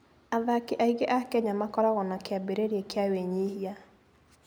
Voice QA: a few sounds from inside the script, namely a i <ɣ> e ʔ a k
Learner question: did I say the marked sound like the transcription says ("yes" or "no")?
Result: yes